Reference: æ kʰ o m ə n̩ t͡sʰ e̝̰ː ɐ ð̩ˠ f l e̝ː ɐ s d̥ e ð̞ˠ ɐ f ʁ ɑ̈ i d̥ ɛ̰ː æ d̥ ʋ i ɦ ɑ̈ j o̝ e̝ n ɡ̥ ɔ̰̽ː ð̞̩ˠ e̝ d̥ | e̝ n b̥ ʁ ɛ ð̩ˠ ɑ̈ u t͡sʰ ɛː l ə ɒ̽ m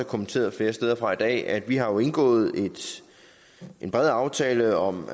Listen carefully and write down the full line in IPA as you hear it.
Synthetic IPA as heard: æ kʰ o m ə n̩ t͡sʰ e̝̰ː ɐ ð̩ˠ f l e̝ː ɐ s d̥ e ð̞ˠ ɐ f ʁ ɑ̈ i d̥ ɛ̰ː æ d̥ ʋ i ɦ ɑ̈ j o̝ e̝ n ɡ̥ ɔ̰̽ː ð̞̩ˠ e̝ d̥ | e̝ n b̥ ʁ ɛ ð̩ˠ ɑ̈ ʊ t͡sʰ ɛː l ə ɒ̽ m